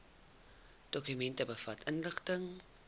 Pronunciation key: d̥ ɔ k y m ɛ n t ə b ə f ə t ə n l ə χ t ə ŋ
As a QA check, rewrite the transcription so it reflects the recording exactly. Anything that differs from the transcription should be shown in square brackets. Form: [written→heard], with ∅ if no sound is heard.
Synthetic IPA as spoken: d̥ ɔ k y m ɛ n t ə b ə f [ə→ɐ] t ə n l ə χ t ə ŋ